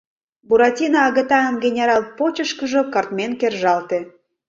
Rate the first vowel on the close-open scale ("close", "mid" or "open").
close